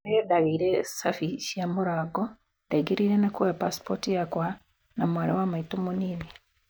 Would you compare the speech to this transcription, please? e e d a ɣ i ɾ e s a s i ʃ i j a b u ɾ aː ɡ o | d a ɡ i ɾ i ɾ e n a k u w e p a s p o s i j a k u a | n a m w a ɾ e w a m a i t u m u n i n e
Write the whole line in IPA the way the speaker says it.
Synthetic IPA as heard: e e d a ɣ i ɾ e s a f i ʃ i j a m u ɾ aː ɡ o | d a ɡ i ɾ i ɾ e n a k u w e p a s p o t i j a k w a | n a m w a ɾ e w a m a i t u m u n i n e